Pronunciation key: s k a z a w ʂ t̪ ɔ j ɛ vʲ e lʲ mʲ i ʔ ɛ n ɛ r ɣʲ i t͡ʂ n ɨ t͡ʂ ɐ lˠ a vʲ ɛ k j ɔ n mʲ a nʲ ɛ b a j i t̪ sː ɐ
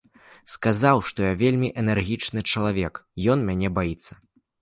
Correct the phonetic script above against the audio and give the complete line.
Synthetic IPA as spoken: s k a z a w ʂ t̪ ɔ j a vʲ e lʲ mʲ i ʔ ɛ n ɛ r ɣʲ i t͡ʂ n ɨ t͡ʂ ɐ lˠ a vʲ ɛ k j ɔ n mʲ a nʲ ɛ b a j i t̪ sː ɐ